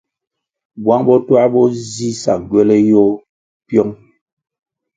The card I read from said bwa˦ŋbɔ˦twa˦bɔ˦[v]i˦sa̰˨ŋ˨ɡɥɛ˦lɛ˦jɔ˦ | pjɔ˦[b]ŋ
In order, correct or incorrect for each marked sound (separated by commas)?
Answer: incorrect, incorrect